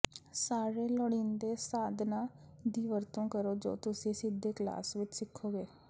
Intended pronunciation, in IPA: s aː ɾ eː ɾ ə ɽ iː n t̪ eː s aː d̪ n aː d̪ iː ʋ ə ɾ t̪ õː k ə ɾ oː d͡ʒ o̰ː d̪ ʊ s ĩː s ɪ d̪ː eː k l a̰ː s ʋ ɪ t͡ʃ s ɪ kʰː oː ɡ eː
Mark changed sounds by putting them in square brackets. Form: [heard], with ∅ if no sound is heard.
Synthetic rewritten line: s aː ɾ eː [l] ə ɽ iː n [d̪] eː s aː d̪ n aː d̪ iː ʋ ə ɾ t̪ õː k ə ɾ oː d͡ʒ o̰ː [t̪] ʊ s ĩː s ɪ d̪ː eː k l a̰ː s ʋ ɪ t͡ʃ s ɪ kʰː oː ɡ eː